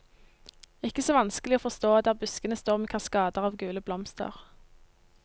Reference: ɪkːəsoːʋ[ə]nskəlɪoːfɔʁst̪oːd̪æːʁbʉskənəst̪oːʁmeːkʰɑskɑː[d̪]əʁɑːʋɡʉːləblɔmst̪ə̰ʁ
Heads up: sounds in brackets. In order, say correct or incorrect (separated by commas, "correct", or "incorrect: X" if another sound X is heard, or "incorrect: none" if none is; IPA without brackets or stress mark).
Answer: incorrect: ɑ, correct